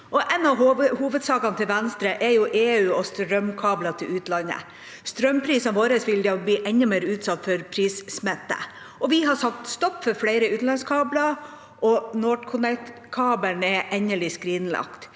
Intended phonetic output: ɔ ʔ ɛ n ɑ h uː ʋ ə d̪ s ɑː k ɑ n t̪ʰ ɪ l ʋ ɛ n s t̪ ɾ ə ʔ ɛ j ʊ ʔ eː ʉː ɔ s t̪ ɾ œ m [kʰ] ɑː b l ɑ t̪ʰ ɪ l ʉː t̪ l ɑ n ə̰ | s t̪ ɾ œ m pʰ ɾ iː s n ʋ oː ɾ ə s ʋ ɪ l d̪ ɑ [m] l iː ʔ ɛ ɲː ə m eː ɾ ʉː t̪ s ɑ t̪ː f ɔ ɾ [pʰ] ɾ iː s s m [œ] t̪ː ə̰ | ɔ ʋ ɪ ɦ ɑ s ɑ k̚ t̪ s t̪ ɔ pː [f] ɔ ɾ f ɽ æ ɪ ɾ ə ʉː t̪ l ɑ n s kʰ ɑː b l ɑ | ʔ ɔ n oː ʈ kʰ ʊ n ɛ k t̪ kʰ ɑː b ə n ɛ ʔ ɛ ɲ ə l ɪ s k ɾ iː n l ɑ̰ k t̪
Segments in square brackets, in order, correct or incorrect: correct, incorrect: b, correct, incorrect: ɛ, correct

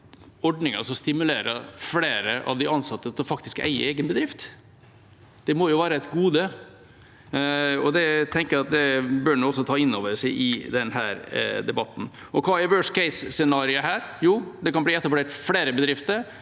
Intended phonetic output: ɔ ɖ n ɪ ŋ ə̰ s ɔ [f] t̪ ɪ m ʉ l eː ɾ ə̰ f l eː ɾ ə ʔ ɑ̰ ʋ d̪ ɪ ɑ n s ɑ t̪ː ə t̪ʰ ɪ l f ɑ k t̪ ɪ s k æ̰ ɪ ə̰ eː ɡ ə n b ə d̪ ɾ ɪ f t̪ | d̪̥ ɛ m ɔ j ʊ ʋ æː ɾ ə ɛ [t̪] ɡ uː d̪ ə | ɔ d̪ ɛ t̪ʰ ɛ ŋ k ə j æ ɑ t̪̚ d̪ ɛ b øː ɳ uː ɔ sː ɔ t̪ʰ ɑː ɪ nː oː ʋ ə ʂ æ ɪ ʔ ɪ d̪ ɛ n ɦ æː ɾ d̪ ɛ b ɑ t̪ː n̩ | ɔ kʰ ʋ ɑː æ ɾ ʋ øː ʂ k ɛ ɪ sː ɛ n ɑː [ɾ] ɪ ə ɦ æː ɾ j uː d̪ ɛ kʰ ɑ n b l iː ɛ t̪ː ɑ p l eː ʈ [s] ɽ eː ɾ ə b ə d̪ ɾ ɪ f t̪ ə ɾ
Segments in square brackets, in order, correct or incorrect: incorrect: s, correct, correct, incorrect: f

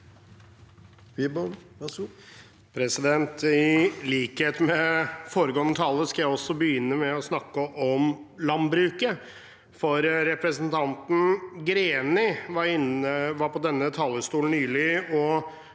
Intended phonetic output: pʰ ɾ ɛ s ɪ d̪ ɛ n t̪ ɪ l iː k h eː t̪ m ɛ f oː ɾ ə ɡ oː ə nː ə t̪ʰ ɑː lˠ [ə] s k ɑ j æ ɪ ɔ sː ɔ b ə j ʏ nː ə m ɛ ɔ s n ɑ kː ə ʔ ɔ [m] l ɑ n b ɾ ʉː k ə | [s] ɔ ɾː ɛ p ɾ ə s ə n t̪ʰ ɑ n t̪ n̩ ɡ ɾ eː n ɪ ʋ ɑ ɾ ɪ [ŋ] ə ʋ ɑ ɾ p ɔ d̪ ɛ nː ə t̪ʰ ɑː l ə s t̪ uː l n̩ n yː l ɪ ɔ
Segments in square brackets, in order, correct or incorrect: correct, correct, incorrect: f, incorrect: n

